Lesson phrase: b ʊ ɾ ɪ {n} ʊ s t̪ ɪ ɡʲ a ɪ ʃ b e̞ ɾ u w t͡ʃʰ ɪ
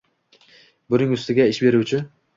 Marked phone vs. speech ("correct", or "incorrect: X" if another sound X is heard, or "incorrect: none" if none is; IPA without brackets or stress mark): incorrect: ŋ